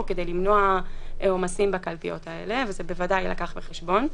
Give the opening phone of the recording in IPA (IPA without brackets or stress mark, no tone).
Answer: k